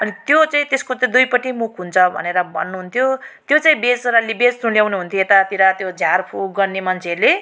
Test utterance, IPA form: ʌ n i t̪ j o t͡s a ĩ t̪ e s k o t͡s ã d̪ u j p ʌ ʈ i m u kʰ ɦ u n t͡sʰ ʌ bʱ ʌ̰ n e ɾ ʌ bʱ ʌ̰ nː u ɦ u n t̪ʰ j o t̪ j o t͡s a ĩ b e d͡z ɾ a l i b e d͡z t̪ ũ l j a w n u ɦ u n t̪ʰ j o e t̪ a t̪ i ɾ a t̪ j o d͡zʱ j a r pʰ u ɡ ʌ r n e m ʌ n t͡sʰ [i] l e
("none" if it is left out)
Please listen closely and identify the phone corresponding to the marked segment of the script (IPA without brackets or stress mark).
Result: e